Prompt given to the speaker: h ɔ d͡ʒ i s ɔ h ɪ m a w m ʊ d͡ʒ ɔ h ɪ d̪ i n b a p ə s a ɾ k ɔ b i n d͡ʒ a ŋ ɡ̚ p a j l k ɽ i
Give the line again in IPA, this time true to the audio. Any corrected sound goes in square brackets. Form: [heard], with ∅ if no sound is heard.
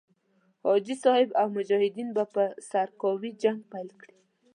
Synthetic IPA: h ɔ d͡ʒ i s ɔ h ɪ [b] a w m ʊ d͡ʒ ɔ h ɪ d̪ i n b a p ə s a ɾ k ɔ [w] i [∅] d͡ʒ a ŋ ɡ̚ p a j l k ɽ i